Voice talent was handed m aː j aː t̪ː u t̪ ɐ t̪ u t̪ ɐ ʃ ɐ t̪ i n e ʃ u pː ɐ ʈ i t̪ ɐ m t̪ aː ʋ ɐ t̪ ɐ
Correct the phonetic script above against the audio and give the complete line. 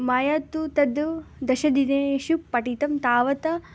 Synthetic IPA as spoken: m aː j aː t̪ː u t̪ ɐ d̪ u d̪ ɐ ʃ ɐ d̪ i n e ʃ u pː ɐ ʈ i t̪ ɐ m t̪ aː ʋ ɐ t̪ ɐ